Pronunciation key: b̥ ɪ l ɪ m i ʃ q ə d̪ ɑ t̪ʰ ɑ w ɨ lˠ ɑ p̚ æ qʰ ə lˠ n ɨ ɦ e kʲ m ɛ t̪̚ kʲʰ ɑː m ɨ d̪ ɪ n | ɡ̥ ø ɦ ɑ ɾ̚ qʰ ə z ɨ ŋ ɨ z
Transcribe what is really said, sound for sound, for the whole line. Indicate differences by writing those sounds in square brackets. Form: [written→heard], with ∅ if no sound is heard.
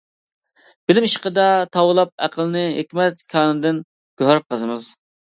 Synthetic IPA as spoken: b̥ ɪ l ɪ m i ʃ q ə d̪ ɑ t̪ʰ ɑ w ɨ lˠ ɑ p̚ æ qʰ ə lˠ n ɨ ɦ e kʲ m ɛ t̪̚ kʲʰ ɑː [m→n] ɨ d̪ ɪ n | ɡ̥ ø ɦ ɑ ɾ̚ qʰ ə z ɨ [ŋ→m] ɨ z